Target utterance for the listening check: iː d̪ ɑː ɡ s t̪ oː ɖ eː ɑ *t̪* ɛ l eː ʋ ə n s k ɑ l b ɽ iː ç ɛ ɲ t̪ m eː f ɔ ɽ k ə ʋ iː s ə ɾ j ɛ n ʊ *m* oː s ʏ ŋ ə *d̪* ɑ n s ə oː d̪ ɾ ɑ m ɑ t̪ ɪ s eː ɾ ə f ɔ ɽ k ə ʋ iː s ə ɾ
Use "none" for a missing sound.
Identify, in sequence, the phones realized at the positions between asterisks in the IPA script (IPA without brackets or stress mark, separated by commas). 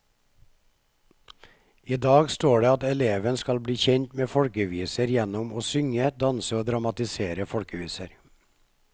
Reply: t̪, m, d̪